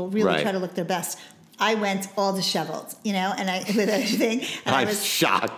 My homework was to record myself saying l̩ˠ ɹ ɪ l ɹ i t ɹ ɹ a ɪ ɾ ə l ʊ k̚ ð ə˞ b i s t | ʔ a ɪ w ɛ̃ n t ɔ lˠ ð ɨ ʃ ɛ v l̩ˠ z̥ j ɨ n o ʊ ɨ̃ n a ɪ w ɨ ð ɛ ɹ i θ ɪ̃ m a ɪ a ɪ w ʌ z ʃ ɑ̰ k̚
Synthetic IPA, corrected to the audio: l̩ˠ ɹ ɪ l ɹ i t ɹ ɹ a ɪ ɾ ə l ʊ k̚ ð ə˞ b ɛ s t | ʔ a ɪ w ɛ̃ n t ɔ lˠ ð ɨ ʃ ɛ v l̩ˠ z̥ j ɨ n o ʊ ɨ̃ n a ɪ w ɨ ð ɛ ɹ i θ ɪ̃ ŋ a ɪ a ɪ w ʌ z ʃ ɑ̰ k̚